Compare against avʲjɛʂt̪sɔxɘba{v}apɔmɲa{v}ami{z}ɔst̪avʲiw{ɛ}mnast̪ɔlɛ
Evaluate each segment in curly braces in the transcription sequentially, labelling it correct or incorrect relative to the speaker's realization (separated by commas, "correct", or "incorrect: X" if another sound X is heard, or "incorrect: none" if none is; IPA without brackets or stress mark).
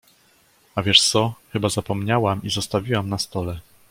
incorrect: z, incorrect: w, correct, incorrect: a